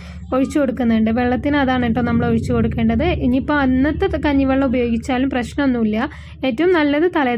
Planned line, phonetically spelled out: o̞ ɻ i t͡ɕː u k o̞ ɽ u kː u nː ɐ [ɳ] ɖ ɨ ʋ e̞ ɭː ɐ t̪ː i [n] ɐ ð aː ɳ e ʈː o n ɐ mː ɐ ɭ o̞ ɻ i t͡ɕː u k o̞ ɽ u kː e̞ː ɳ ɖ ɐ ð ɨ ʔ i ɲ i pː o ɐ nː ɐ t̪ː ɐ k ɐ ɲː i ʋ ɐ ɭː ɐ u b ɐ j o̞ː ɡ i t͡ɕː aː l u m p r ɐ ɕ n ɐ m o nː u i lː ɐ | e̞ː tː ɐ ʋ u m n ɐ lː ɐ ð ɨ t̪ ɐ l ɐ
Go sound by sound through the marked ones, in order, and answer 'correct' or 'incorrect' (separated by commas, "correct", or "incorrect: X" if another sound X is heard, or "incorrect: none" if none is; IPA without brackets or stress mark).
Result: correct, correct